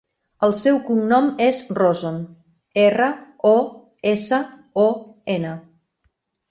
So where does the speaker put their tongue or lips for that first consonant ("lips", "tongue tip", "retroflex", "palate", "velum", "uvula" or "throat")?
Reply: tongue tip